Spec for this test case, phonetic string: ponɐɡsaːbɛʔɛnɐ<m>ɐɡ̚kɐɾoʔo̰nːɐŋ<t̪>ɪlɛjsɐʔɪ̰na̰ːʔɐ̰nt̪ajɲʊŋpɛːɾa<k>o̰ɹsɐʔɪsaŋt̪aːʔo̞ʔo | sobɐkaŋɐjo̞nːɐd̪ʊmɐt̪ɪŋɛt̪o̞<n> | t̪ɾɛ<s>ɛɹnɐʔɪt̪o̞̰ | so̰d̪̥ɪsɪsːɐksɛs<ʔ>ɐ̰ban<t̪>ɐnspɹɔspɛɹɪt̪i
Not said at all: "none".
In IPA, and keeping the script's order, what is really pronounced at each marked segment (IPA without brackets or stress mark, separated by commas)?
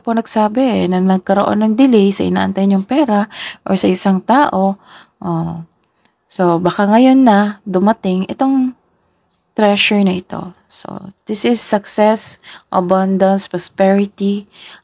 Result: n, d̪, ʔ, ŋ, ʃ, ʔ, d̪